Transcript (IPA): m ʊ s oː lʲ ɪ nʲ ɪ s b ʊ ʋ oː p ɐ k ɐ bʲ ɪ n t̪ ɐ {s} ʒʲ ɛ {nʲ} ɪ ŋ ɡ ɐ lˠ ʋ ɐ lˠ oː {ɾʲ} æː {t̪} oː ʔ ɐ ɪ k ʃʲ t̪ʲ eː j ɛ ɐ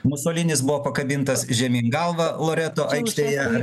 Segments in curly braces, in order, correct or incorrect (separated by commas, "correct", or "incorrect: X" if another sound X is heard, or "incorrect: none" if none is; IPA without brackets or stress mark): correct, incorrect: mʲ, correct, correct